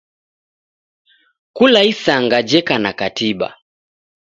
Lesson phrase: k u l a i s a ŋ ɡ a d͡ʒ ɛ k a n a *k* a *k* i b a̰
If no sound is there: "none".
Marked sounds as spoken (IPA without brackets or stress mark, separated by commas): k, t